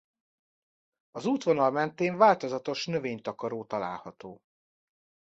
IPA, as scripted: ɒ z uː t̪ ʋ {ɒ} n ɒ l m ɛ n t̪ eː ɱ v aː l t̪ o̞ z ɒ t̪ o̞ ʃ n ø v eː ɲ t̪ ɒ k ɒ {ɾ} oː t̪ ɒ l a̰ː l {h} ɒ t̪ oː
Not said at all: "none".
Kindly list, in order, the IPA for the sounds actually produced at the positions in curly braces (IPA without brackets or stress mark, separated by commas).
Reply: o, ɾ, h